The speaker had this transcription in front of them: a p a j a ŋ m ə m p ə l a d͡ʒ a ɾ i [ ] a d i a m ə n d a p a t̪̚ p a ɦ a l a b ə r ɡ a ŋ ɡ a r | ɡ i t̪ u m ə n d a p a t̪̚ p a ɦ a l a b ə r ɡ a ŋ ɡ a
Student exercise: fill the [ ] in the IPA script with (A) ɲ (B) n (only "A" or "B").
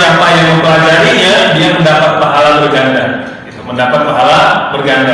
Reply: A